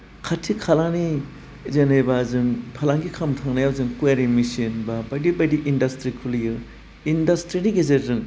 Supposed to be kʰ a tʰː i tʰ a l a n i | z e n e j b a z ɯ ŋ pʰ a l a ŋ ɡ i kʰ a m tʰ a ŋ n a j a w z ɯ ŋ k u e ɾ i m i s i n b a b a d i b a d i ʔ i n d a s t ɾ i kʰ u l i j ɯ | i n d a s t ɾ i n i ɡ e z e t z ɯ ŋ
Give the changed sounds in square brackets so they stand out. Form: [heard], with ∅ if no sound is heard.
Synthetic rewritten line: kʰ a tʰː i [kʰ] a l a n i | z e n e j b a z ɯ ŋ pʰ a l a ŋ ɡ i kʰ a m tʰ a ŋ n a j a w z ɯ ŋ k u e ɾ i m i s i n b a b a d i b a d i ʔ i n d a s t ɾ i kʰ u l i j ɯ | i n d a s t ɾ i n i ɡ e z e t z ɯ ŋ